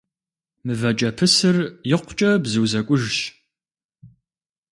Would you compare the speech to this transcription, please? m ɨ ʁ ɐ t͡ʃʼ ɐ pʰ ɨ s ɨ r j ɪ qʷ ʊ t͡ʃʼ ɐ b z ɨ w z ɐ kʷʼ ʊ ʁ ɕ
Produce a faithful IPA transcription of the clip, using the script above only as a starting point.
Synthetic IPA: m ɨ v ɐ t͡ʃʼ ɐ pʰ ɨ s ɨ r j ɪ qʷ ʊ t͡ʃʼ ɐ b z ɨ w z ɐ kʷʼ ʊ ʒ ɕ